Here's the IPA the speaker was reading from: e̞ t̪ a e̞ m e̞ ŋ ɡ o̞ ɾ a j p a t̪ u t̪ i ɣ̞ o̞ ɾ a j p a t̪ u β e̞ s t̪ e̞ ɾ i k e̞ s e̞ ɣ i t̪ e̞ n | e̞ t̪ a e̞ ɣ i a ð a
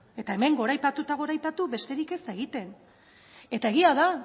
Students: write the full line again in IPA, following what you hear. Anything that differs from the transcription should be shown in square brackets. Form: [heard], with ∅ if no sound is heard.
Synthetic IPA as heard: e̞ t̪ a e̞ m e̞ ŋ ɡ o̞ ɾ a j p a t̪ u t̪ [a] ɣ̞ o̞ ɾ a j p a t̪ u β e̞ s t̪ e̞ ɾ i k e̞ s e̞ ɣ i t̪ e̞ n | e̞ t̪ a e̞ ɣ i a ð a